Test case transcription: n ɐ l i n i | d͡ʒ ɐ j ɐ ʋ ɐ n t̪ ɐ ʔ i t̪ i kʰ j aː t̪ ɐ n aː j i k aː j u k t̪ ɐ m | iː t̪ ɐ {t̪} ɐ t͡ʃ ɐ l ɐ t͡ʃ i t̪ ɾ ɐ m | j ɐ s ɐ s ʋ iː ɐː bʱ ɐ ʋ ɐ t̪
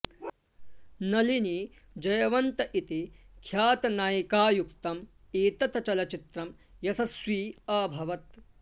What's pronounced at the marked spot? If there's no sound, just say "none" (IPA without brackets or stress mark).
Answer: t̪